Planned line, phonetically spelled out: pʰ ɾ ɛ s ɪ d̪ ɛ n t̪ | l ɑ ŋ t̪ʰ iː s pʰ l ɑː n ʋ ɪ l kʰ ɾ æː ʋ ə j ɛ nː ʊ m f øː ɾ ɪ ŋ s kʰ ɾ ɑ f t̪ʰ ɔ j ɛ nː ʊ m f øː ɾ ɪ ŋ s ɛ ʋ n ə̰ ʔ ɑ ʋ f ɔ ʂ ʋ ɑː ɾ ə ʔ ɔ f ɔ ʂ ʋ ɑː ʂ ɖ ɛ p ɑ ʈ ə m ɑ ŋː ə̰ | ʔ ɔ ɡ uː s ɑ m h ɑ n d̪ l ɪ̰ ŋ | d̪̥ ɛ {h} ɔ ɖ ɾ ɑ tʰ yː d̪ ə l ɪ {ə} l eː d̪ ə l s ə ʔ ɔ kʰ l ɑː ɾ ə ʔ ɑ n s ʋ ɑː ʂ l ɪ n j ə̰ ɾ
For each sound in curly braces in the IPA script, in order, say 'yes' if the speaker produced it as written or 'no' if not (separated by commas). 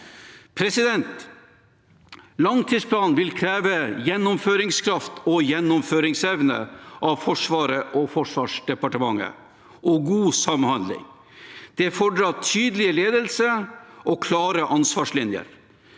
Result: no, yes